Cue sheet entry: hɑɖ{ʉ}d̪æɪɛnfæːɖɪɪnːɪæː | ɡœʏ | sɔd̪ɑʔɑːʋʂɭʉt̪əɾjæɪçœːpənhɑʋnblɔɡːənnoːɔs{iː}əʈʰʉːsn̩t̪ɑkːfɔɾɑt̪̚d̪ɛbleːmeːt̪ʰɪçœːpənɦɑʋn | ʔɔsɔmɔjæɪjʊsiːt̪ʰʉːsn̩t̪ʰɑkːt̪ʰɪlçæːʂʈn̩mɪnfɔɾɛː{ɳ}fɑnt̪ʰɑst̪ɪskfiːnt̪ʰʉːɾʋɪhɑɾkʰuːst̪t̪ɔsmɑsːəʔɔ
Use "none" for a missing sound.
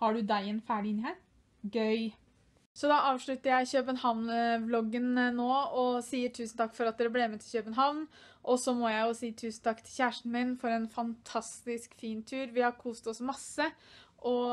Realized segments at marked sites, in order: ʉ, iː, n

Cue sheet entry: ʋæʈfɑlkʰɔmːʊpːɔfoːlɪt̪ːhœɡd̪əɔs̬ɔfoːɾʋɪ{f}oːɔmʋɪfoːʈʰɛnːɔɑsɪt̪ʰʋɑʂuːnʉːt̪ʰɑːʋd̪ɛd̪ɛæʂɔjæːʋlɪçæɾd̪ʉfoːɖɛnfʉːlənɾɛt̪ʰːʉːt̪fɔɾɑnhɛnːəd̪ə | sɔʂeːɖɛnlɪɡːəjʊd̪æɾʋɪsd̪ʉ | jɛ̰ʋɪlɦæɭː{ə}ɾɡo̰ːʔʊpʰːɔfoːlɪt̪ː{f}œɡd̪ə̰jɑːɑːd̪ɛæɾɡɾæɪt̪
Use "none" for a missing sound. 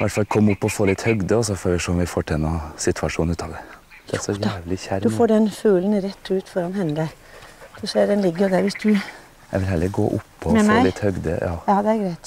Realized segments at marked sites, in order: ʂ, ə, h

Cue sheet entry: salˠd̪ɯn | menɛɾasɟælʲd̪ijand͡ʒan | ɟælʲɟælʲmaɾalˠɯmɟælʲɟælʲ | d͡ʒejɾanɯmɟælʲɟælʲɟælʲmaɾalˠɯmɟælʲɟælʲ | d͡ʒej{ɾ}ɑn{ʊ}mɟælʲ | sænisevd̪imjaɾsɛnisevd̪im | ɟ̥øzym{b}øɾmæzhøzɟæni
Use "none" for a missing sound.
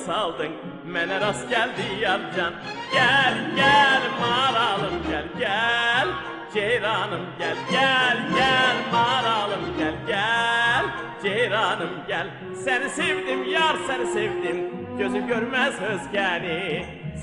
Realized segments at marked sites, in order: ɾ, ɯ, ɟ

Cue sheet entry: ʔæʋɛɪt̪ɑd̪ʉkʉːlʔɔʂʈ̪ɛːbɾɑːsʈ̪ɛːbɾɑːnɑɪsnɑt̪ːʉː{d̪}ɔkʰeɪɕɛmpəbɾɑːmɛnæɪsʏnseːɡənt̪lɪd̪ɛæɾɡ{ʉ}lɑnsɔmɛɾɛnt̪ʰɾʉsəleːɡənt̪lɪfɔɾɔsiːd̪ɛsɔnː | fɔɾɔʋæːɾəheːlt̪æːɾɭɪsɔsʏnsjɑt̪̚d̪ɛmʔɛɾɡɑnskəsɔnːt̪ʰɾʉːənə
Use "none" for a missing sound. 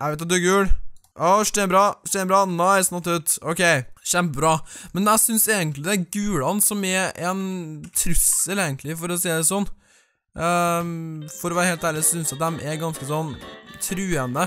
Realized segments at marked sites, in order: t̪, ʉː

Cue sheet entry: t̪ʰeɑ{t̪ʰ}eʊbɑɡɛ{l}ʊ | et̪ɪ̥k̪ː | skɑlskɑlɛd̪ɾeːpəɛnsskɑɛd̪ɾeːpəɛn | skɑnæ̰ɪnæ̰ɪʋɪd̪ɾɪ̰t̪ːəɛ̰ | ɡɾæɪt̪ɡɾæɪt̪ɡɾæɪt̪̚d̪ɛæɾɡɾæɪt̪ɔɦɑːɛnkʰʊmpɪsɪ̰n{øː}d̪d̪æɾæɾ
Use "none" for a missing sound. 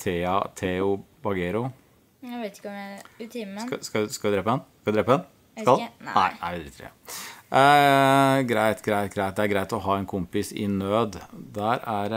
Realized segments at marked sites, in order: t̪ʰ, ɾ, øː

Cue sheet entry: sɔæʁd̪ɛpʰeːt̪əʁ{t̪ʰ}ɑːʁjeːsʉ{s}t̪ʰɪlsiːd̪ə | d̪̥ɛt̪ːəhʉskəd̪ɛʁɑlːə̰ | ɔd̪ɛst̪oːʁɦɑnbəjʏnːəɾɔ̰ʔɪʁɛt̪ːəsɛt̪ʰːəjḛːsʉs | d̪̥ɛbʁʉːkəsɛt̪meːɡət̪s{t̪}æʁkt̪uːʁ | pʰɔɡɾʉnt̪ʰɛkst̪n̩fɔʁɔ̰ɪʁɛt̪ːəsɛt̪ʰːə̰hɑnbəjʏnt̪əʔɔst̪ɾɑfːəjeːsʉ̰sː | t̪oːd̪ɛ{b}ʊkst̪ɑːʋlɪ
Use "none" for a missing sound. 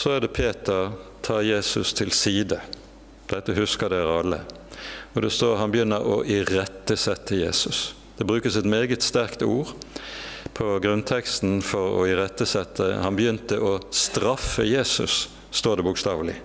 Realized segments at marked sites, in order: t̪ʰ, s, t̪, b

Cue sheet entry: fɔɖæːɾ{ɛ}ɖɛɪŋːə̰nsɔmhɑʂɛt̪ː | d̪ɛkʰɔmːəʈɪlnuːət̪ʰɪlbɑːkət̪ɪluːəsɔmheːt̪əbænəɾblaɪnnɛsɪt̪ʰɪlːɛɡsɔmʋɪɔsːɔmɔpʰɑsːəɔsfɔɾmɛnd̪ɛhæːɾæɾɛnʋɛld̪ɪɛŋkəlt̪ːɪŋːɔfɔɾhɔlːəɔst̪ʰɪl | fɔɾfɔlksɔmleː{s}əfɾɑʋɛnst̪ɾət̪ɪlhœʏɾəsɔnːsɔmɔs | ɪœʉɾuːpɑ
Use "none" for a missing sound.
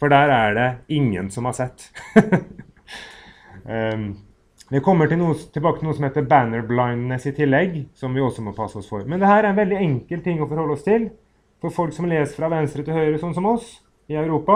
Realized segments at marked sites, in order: æ, s

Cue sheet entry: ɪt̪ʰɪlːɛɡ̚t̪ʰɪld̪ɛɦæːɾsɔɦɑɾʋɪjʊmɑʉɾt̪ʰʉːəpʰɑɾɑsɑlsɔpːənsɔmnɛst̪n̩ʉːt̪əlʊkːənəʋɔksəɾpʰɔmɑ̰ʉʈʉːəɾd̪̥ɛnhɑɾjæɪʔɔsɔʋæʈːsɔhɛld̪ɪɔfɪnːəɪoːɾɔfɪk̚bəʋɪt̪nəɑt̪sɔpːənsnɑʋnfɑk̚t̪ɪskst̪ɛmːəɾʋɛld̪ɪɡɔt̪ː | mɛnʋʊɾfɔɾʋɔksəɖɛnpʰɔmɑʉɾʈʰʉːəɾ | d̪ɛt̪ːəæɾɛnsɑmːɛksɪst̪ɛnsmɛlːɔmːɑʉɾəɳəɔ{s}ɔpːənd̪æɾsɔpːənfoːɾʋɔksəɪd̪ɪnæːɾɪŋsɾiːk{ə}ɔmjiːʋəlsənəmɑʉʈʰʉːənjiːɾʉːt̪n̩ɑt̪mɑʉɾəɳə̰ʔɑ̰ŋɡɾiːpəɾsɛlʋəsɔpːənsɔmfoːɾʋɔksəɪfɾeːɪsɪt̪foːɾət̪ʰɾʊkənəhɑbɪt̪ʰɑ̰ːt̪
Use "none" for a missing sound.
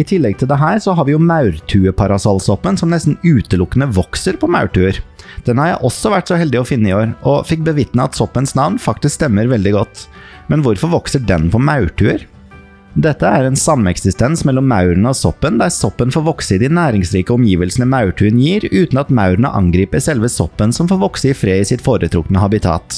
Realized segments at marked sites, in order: s, ə

